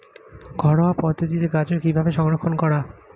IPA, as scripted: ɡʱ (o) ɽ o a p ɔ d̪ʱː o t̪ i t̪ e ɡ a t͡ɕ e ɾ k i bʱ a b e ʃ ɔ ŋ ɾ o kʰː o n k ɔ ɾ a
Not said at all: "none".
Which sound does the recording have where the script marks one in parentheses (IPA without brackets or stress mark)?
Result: ɔ